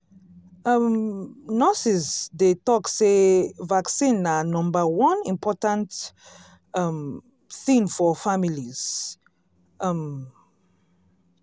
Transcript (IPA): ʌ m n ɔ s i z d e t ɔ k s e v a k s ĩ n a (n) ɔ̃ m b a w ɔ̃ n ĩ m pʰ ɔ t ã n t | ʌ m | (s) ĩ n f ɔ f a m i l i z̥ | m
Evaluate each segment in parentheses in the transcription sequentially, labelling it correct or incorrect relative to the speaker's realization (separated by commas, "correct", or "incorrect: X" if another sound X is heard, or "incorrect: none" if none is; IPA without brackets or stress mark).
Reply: correct, incorrect: θ